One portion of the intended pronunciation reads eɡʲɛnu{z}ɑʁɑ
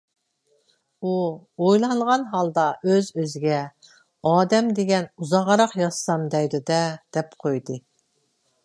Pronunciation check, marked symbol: correct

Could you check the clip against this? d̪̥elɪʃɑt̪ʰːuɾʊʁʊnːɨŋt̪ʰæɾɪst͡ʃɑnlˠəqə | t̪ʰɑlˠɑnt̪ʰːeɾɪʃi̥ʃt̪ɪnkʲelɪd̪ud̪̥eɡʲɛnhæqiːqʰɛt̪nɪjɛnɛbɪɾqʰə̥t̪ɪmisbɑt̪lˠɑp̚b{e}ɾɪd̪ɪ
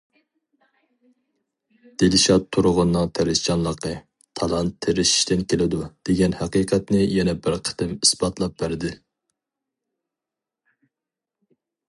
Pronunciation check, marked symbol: incorrect: æ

